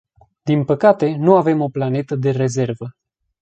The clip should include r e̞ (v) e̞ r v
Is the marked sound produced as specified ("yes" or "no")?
no